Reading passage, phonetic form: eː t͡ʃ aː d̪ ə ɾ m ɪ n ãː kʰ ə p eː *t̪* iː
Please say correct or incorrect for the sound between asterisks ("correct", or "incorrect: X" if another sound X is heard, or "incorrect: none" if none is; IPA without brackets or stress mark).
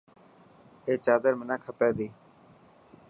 incorrect: d̪